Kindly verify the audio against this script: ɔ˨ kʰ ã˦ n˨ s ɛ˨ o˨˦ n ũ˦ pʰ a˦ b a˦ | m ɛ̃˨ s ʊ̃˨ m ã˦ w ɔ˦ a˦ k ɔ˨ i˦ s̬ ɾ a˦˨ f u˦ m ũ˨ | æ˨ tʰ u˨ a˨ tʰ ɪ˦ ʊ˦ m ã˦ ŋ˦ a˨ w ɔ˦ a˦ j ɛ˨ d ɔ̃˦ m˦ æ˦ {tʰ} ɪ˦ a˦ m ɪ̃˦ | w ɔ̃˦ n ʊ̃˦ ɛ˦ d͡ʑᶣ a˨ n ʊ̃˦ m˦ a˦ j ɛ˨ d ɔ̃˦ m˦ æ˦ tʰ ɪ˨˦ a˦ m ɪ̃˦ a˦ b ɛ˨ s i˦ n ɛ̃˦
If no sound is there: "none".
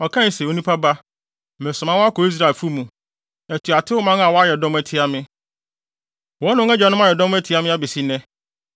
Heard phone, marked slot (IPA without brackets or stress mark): tʰ